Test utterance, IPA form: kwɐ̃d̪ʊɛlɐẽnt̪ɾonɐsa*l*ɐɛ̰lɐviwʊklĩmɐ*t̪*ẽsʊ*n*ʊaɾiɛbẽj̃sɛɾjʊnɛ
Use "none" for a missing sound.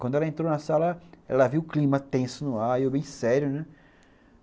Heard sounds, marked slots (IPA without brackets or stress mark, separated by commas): l, t̪, n